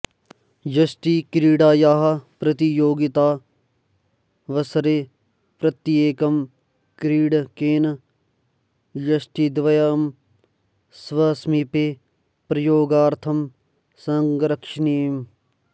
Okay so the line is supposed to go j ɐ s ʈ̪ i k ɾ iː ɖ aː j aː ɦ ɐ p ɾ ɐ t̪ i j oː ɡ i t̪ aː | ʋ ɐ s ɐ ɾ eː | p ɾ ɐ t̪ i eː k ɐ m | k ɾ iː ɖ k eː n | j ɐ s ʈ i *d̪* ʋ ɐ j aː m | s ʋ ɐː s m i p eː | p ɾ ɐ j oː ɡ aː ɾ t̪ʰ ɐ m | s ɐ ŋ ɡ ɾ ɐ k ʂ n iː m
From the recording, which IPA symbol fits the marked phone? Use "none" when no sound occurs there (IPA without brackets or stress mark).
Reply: d̪